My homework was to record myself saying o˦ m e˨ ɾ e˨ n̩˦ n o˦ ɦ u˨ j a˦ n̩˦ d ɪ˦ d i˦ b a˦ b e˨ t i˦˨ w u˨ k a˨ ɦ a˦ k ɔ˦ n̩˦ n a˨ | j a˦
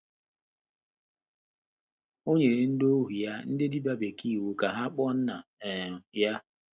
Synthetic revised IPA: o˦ ɲ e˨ ɾ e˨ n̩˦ d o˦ ɦ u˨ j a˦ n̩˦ d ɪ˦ d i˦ b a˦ b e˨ k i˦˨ w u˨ k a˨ ɦ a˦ k͡p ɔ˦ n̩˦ n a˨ | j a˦